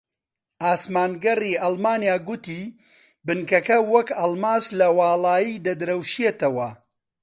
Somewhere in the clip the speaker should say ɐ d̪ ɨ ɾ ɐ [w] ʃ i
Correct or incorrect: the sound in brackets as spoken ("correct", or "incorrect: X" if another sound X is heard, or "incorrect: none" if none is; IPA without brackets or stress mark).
correct